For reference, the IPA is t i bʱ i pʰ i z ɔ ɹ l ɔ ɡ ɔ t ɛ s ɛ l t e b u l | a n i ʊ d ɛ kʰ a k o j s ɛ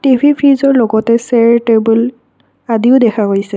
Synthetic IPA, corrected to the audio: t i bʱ i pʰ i z ɔ ɹ l ɔ ɡ ɔ t ɛ s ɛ ɹ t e b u l | a d i ʊ d ɛ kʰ a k o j s ɛ